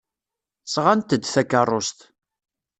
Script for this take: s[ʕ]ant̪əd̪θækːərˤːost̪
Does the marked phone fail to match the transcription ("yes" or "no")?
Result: yes